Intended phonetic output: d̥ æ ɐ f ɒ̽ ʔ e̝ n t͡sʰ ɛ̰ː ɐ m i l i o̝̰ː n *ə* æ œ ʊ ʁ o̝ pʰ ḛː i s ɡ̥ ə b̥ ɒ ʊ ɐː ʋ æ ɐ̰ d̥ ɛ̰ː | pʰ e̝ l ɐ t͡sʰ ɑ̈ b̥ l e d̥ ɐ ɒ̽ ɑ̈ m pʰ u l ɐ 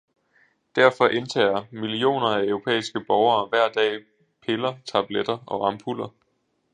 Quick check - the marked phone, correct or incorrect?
incorrect